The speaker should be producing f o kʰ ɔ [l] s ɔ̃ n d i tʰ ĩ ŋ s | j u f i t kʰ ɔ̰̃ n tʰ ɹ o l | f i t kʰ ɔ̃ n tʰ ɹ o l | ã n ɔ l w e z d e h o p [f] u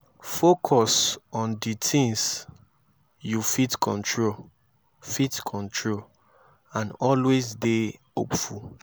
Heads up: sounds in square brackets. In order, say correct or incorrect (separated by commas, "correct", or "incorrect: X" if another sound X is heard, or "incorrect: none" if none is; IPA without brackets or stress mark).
incorrect: none, correct